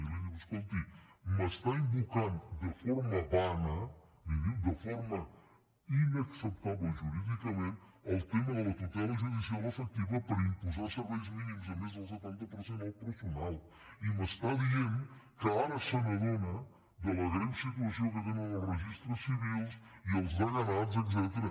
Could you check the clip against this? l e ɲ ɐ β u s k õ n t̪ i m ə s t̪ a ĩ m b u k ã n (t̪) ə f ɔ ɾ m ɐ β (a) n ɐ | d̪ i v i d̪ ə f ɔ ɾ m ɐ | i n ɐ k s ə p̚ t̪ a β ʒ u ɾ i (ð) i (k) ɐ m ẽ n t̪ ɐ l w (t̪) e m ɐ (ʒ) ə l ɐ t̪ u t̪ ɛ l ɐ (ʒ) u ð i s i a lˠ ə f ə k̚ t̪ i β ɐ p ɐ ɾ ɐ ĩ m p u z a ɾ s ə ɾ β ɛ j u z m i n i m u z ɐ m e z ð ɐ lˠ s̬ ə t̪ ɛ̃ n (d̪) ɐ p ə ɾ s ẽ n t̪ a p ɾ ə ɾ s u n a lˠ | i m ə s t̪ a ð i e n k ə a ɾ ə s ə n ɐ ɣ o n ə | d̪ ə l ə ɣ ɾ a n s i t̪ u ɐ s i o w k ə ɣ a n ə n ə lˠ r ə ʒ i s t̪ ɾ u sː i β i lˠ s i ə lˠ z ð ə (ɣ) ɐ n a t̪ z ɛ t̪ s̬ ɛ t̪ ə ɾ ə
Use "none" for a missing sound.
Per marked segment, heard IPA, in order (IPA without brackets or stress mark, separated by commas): d̪, a, ð, k, t̪, ð, ʒ, t̪, ɣ